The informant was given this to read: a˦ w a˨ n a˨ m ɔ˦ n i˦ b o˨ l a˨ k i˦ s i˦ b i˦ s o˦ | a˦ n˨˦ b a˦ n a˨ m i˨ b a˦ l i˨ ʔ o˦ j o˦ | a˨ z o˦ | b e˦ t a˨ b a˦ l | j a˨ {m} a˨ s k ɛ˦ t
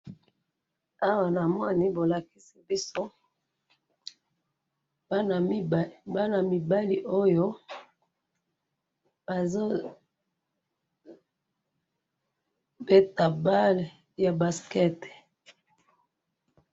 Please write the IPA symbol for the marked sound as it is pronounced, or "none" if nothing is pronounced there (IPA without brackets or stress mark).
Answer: b